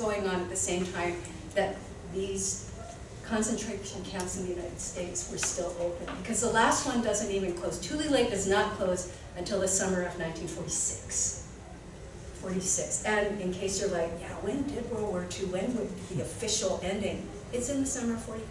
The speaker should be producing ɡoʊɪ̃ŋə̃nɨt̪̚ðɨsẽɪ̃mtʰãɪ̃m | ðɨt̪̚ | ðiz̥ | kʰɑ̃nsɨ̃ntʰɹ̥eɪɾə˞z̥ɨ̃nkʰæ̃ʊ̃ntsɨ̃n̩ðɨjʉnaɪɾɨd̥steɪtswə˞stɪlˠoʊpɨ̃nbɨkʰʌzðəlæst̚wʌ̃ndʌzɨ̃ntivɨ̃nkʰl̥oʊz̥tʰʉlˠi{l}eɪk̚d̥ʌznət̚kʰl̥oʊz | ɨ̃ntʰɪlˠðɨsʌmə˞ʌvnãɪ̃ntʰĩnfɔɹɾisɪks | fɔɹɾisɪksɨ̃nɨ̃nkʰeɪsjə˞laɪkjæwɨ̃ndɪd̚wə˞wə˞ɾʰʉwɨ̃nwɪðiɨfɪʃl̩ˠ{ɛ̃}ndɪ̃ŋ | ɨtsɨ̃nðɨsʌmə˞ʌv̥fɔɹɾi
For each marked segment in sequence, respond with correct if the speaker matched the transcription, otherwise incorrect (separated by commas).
correct, correct